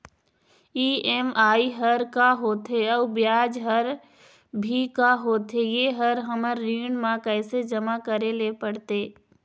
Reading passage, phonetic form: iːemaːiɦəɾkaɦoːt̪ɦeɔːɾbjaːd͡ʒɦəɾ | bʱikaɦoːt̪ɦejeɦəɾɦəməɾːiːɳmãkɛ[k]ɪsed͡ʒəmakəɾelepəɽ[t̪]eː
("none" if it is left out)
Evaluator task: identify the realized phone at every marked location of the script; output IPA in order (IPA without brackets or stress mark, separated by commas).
none, t̪